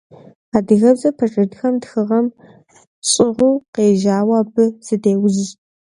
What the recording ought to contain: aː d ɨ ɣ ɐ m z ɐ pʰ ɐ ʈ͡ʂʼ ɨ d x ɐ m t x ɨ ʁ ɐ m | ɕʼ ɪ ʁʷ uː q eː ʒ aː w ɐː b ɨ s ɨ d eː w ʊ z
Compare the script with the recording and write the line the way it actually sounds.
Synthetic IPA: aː d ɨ ɣ ɐ b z ɐ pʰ ɐ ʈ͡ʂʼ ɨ d x ɐ m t x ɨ ʁ ɐ m | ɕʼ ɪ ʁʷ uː q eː ʒ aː w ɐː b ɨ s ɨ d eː w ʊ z